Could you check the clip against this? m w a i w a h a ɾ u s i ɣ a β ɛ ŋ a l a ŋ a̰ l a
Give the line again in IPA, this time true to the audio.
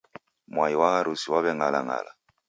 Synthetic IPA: m w a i w a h a ɾ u s i w a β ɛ ŋ a l a ŋ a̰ l a